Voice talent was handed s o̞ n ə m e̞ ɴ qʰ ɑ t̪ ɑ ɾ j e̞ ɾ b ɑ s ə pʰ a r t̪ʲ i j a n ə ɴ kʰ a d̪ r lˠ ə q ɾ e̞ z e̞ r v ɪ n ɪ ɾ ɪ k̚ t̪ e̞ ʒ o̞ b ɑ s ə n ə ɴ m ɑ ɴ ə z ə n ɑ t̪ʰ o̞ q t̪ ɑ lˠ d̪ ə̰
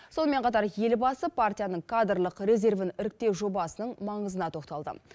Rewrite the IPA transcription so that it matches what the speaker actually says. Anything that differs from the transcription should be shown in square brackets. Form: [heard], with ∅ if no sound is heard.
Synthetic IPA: s o̞ n ə m e̞ ɴ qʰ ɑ t̪ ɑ ɾ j e̞ [l] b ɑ s ə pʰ a r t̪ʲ i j a n ə ɴ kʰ a d̪ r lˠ ə q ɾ e̞ z e̞ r v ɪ n ɪ ɾ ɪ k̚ t̪ e̞ ʒ o̞ b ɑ s ə n ə ɴ m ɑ ɴ ə z ə n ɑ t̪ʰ o̞ q t̪ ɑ lˠ d̪ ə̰